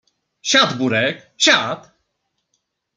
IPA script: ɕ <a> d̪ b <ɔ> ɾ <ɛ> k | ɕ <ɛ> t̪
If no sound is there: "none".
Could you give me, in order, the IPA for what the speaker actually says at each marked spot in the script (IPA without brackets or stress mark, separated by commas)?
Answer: a, u, ɛ, a